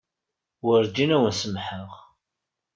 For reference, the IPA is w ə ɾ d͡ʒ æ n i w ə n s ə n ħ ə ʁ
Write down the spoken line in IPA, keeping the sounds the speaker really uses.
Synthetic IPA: w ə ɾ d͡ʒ i n æ w ə n s ə m ħ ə ʁ